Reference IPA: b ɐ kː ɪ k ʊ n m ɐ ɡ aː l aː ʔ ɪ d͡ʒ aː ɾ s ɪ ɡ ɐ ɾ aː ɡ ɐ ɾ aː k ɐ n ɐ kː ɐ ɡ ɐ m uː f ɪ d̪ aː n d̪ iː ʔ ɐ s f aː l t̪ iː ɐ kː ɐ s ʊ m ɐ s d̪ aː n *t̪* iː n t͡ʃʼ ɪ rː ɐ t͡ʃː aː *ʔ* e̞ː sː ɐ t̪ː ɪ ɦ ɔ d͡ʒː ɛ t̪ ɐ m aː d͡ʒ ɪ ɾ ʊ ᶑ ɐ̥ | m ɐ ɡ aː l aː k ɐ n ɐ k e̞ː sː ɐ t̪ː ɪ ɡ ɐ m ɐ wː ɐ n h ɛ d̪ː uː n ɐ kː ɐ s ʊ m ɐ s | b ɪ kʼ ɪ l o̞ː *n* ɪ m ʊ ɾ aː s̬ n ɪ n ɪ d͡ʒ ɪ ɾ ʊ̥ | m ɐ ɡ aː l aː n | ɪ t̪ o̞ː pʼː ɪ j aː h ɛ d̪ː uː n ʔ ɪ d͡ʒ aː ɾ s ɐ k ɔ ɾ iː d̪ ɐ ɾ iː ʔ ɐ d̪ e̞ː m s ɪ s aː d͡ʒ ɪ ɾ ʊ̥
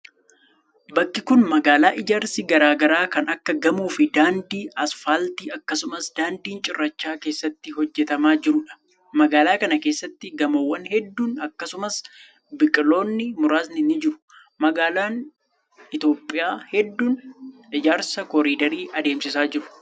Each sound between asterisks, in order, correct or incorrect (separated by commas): incorrect, incorrect, incorrect